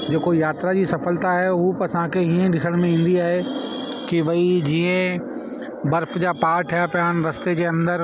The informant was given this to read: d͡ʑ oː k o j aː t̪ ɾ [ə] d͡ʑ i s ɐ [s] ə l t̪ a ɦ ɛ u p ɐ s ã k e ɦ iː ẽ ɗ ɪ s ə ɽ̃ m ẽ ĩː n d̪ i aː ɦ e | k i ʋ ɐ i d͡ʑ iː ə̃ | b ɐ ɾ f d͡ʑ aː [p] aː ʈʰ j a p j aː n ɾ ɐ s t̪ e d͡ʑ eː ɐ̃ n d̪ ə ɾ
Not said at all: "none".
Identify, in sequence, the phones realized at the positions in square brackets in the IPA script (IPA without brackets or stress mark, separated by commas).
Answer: a, f, p